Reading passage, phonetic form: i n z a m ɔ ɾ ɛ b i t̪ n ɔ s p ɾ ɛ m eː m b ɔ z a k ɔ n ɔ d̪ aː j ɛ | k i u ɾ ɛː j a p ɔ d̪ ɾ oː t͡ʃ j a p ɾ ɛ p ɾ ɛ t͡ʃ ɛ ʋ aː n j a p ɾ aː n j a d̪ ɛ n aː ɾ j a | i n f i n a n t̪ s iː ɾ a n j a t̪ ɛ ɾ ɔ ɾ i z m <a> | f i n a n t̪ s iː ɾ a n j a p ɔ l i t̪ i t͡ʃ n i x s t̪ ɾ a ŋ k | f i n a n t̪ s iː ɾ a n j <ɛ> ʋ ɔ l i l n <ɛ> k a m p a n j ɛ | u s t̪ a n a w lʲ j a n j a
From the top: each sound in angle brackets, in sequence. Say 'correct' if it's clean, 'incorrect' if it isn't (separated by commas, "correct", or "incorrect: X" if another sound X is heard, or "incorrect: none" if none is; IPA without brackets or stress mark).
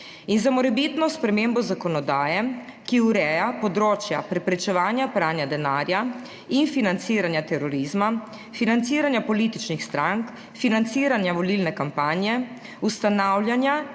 correct, incorrect: a, correct